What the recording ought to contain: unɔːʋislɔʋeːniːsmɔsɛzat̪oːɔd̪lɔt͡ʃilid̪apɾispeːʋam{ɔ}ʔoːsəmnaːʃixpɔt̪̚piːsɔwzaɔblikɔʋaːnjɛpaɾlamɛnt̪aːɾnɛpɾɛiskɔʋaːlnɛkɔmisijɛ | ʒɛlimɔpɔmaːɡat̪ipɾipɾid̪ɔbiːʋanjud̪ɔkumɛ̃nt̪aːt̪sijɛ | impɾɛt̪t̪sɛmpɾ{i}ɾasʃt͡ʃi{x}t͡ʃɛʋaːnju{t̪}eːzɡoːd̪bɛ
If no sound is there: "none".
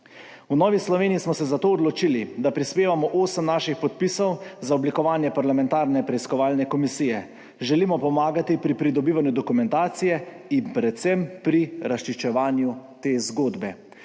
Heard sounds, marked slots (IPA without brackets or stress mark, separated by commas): ɔ, i, ʃ, t̪